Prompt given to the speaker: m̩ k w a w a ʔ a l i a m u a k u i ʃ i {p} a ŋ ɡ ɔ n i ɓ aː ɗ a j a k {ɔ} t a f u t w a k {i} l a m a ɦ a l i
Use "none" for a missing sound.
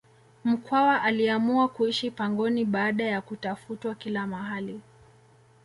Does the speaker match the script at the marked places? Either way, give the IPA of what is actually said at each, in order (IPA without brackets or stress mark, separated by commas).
p, u, i